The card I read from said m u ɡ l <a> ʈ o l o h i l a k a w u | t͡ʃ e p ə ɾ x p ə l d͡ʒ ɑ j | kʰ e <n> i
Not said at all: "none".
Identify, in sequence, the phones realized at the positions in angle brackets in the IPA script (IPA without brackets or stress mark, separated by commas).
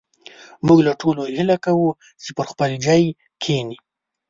a, n